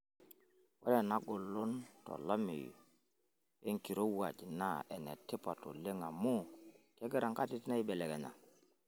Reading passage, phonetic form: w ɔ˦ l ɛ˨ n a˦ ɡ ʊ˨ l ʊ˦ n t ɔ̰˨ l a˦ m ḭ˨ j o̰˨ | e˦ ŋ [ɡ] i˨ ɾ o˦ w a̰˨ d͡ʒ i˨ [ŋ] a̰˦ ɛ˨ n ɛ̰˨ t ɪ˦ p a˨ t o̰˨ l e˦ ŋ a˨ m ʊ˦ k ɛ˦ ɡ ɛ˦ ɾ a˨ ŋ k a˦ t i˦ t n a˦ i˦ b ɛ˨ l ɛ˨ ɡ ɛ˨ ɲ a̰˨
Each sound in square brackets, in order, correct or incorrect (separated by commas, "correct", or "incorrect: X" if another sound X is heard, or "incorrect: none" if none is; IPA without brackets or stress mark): incorrect: k, incorrect: n